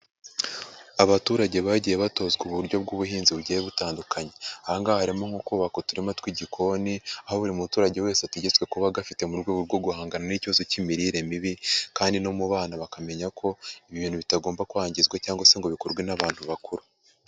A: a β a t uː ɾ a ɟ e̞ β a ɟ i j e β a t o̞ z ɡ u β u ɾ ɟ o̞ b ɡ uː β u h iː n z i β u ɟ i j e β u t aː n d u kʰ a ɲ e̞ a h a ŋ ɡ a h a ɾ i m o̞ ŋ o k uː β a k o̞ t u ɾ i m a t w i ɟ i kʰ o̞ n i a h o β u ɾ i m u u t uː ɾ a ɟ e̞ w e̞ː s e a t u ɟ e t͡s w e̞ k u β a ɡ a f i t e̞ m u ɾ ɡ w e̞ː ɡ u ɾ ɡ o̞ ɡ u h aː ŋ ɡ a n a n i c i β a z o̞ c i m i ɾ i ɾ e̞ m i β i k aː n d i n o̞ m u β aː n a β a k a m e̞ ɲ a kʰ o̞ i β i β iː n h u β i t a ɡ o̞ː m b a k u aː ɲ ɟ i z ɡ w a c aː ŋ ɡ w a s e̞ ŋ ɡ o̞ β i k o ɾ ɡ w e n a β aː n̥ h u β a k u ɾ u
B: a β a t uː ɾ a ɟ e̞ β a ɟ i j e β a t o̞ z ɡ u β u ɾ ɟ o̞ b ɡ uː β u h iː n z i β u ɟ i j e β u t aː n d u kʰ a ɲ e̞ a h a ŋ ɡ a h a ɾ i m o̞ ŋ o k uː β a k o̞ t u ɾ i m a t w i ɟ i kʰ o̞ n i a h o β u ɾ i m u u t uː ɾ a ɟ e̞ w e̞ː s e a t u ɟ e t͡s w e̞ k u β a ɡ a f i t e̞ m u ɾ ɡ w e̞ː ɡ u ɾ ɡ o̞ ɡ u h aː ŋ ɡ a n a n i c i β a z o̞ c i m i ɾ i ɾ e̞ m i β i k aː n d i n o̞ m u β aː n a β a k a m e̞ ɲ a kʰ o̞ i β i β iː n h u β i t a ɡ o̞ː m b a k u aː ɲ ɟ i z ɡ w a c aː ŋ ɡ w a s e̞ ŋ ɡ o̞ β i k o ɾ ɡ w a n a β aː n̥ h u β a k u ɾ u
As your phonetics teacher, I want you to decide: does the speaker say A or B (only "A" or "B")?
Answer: A